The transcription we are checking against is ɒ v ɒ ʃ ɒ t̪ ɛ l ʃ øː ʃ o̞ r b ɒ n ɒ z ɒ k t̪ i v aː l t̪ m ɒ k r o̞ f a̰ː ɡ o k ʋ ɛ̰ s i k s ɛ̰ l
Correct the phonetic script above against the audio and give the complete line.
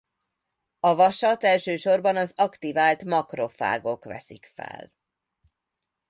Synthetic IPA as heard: ɒ v ɒ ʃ ɒ t̪ ɛ l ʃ øː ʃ o̞ r b ɒ n ɒ z ɒ k t̪ i v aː l t̪ m ɒ k r o̞ f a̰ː ɡ o k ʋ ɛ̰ s i k f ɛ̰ l